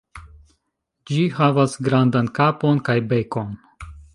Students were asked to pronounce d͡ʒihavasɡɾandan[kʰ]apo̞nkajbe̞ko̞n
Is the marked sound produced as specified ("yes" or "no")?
no